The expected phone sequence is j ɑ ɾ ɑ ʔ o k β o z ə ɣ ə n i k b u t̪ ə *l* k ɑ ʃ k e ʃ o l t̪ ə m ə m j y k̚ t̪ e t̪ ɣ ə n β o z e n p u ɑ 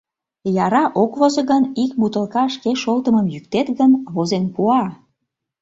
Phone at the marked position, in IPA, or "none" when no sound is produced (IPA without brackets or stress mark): l